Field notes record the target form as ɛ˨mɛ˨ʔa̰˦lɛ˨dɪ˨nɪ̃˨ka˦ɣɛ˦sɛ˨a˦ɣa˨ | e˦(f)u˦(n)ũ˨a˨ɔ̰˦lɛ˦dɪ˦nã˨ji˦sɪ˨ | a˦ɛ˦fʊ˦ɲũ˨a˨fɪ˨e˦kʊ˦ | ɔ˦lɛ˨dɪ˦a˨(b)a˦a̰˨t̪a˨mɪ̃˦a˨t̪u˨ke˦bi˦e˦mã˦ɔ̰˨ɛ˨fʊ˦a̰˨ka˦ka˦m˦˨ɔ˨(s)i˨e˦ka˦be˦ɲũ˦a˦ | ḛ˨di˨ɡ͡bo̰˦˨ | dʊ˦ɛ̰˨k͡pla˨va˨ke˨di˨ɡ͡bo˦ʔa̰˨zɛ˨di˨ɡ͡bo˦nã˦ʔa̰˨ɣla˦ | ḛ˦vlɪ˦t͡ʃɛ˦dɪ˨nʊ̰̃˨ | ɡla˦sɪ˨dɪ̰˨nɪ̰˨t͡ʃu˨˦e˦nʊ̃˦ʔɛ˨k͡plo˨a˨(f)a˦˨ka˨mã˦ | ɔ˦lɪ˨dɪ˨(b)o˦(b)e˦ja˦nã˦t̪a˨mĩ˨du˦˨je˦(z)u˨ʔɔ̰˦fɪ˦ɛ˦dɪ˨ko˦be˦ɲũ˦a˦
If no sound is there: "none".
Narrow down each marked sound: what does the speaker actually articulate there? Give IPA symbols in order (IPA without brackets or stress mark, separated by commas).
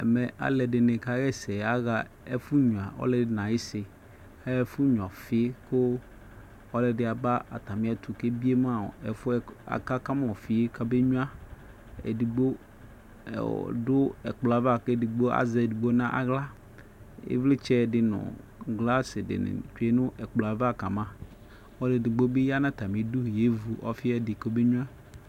f, ɲ, b, f, v, ɡ͡b, b, v